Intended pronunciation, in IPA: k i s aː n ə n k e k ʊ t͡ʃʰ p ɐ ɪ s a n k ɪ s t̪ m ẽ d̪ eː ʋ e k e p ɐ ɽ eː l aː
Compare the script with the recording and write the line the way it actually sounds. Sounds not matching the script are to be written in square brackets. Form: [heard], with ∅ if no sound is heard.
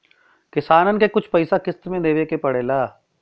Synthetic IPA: k [ɪ] s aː n ə n k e k ʊ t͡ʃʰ p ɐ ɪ s a [∅] k ɪ s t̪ m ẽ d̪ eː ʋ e k e p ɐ ɽ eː l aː